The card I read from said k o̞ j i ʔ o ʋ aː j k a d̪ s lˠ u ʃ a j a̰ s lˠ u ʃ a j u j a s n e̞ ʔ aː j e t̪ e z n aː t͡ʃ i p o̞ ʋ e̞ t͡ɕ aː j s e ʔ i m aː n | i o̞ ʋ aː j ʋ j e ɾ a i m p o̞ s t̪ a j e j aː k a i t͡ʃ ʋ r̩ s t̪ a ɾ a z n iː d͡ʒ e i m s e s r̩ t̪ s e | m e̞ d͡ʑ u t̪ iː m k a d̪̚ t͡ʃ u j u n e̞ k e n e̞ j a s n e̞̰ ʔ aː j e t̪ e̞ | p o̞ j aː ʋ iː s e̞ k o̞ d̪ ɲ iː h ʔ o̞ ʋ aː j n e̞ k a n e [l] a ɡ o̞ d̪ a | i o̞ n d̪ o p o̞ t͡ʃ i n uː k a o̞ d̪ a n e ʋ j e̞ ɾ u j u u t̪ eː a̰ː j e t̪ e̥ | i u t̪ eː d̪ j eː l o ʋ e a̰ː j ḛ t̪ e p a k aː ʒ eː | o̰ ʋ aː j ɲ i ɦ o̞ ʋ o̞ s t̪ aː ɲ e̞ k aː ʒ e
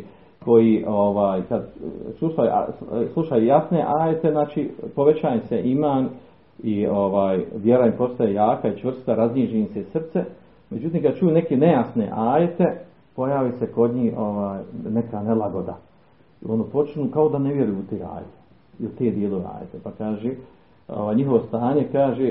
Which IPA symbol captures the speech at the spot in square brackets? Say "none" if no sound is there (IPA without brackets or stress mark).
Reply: l